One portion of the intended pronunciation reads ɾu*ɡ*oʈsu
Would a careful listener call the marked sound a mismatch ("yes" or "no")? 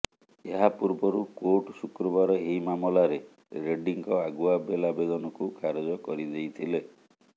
yes